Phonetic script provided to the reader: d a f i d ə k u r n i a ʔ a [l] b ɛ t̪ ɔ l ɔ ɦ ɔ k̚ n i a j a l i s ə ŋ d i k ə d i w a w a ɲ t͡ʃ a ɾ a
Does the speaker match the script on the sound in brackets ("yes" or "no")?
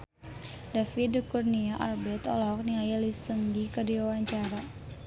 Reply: no